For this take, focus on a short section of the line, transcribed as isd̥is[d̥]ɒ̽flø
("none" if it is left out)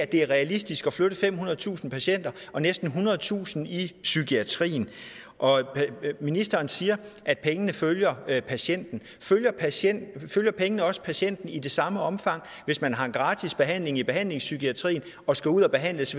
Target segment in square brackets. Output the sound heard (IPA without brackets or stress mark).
ɡ̥